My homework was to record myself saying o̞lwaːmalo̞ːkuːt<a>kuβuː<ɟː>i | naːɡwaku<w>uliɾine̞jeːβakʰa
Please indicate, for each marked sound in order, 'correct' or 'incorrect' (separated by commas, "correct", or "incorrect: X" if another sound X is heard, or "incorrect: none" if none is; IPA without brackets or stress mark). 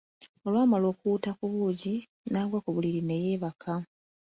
correct, incorrect: ɟ, incorrect: β